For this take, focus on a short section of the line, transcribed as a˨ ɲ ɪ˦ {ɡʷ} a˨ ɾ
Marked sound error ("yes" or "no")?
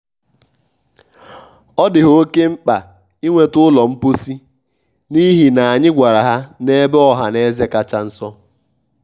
no